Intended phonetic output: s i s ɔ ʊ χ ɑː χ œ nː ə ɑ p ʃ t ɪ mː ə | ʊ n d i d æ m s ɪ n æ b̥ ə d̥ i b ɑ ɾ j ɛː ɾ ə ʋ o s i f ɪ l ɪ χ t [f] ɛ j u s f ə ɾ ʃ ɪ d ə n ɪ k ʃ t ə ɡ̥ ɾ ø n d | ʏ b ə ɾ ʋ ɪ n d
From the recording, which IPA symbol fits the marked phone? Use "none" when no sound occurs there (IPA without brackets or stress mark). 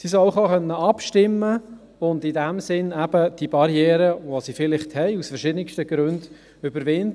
h